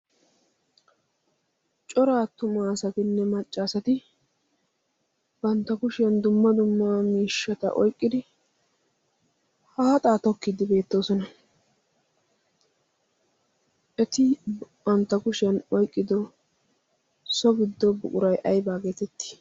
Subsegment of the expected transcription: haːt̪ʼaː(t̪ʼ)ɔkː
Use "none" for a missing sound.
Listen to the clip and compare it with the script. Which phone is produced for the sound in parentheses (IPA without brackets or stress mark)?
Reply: t̪